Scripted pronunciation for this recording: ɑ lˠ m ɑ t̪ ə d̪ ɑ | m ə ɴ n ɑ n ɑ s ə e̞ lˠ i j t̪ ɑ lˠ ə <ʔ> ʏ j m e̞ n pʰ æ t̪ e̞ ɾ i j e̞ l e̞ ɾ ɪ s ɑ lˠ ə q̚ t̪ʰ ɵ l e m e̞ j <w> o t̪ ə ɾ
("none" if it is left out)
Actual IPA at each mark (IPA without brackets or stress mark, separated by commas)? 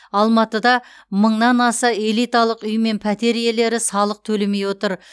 q, w